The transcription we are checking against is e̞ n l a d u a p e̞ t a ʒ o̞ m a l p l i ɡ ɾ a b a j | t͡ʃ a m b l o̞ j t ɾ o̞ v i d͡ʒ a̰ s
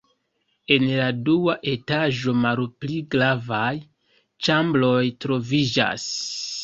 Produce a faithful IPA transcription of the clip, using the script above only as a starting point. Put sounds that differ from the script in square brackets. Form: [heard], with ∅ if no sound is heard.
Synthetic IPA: e̞ n l a d u a [ʔ] e̞ t a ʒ o̞ m a l p l i ɡ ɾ a [v] a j | t͡ʃ a m b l o̞ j t ɾ o̞ v i d͡ʒ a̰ s